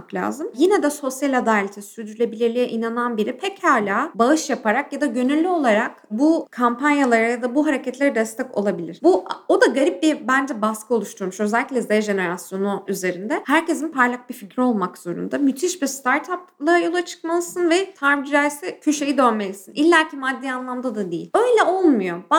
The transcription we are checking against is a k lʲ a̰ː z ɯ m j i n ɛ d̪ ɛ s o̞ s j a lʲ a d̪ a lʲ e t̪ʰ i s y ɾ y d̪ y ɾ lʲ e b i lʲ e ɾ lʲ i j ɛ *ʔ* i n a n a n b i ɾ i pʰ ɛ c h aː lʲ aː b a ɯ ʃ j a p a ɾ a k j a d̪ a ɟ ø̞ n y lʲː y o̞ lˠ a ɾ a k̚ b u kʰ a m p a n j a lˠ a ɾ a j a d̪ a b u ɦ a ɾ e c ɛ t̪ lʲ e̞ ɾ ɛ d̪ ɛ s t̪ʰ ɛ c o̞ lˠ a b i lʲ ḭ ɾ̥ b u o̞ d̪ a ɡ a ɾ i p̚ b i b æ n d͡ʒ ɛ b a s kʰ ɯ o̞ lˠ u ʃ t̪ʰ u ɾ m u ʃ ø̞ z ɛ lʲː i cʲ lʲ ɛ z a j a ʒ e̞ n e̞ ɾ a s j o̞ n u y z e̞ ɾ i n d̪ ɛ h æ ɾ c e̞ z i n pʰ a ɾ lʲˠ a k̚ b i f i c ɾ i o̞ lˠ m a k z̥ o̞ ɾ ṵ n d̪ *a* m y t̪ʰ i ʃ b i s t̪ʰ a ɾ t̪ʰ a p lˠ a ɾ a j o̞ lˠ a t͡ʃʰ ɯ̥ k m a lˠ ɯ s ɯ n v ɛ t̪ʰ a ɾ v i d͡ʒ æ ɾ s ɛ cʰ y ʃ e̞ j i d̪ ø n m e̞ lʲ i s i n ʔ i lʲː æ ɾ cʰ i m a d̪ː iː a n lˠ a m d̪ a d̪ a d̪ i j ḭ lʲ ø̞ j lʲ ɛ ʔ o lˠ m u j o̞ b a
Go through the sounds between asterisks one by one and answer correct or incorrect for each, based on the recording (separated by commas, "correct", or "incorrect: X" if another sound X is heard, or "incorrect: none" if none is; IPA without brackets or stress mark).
correct, correct